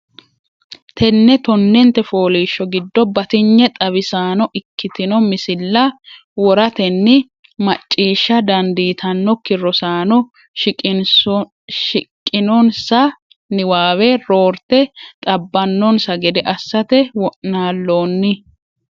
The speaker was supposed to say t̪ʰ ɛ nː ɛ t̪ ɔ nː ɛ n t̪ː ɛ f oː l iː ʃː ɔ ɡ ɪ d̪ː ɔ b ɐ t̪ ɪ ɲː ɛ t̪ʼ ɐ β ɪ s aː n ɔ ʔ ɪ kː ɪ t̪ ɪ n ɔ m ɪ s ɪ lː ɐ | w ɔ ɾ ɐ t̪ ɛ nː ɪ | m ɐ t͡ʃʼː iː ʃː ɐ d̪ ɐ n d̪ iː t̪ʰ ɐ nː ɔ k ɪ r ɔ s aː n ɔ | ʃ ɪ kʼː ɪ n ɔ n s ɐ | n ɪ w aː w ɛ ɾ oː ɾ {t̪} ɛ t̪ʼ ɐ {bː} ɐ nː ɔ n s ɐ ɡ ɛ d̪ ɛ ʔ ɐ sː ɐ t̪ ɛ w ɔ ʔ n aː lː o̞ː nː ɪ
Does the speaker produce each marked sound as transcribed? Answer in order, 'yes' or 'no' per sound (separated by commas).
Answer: yes, yes